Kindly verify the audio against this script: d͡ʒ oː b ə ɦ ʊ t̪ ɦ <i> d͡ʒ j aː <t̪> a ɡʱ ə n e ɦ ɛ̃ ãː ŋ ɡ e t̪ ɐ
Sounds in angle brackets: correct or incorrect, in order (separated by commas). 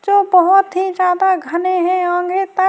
correct, incorrect